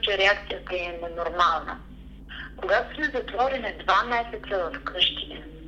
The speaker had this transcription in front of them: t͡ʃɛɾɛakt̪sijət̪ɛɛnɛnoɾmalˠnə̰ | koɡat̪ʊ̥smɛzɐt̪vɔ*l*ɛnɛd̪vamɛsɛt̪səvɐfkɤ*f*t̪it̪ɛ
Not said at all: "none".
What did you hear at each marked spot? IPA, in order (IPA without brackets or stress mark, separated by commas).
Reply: ɾ, ʃ